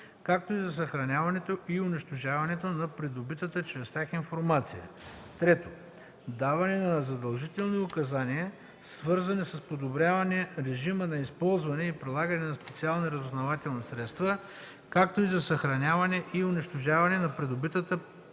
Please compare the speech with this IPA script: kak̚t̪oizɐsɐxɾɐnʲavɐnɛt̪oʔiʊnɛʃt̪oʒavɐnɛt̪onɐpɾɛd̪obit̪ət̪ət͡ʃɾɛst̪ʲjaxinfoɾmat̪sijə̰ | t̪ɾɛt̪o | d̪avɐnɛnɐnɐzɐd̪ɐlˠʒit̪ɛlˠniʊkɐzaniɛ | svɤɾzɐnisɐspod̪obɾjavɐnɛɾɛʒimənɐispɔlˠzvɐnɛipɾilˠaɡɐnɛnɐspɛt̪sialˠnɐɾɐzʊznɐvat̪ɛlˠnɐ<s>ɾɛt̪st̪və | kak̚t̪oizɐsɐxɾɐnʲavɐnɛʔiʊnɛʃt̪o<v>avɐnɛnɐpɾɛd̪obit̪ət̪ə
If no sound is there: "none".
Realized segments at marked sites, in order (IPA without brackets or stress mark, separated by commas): s, ʒ